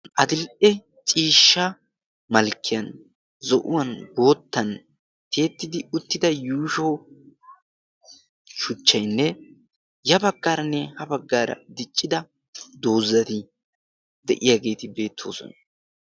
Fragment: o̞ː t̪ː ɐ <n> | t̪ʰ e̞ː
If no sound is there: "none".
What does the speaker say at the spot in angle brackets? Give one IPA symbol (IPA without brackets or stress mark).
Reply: n